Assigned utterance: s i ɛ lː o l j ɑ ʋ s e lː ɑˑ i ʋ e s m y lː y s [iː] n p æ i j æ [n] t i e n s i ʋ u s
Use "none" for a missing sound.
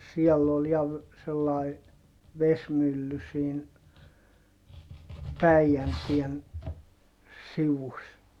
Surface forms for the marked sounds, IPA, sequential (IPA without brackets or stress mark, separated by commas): iː, n